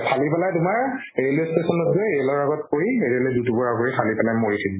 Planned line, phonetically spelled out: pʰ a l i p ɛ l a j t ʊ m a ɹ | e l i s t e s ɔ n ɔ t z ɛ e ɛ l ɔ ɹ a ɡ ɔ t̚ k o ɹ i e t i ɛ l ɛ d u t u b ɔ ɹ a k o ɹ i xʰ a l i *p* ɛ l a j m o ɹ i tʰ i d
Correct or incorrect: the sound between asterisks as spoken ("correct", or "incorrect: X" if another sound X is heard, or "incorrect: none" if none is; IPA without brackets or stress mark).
correct